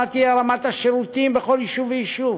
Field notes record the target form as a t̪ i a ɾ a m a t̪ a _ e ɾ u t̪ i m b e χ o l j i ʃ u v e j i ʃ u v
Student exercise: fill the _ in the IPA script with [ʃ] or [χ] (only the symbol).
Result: ʃ